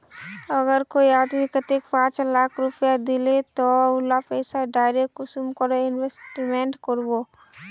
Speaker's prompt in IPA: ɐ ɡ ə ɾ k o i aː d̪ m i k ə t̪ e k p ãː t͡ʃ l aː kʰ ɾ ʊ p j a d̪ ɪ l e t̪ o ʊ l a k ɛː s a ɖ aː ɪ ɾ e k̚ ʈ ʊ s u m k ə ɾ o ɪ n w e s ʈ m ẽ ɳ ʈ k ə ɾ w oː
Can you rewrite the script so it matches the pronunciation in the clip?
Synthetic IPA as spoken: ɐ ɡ ə ɾ k o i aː d̪ m i k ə t̪ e k p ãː t͡ʃ l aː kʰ ɾ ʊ p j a d̪ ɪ l e t̪ o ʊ l a p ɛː s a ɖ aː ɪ ɾ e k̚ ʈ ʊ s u m k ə ɾ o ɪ n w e s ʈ m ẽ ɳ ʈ k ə ɾ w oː